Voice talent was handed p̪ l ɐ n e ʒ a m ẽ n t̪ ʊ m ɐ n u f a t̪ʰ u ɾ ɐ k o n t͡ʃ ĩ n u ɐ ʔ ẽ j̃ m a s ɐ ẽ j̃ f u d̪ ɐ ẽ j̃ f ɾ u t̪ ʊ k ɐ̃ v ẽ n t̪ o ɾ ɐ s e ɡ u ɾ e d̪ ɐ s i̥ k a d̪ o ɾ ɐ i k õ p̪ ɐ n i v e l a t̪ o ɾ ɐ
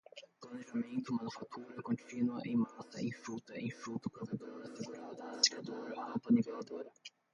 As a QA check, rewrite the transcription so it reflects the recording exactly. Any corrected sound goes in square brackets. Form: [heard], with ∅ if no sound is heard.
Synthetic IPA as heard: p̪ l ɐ n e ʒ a m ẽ n t̪ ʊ m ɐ n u f a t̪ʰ u ɾ ɐ k [õ] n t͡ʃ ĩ n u ɐ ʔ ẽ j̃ m a s ɐ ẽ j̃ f u [t̪] ɐ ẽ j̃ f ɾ u t̪ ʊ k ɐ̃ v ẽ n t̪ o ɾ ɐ s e ɡ u ɾ [a] d̪ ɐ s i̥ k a d̪ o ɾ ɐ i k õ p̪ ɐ n i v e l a [d̪] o ɾ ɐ

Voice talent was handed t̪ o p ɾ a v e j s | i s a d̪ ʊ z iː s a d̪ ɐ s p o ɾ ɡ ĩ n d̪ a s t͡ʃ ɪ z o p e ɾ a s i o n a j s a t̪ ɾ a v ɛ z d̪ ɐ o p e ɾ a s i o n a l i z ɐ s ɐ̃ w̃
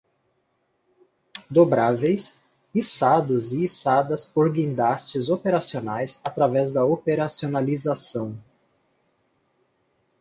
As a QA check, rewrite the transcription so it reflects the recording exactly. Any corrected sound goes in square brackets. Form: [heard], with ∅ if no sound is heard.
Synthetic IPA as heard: [d̪] o [b] ɾ a v e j s | i s a d̪ ʊ z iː s a d̪ ɐ s p o ɾ ɡ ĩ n d̪ a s t͡ʃ ɪ z o p e ɾ a s i o n a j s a t̪ ɾ a v ɛ z d̪ ɐ o p e ɾ a s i o n a l i z [a] s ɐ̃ w̃

